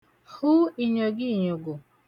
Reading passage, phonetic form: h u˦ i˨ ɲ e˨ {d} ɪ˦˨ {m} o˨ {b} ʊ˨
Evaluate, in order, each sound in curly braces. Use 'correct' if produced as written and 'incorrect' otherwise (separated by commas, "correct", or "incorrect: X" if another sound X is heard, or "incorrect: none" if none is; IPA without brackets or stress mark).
incorrect: ɡ, incorrect: ɲ, incorrect: ɡ